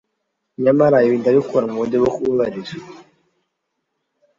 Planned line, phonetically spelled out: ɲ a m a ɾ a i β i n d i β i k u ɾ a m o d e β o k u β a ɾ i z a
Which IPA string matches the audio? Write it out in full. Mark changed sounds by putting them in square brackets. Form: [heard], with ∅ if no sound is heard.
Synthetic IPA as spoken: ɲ a m a ɾ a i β i n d [a] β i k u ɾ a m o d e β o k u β a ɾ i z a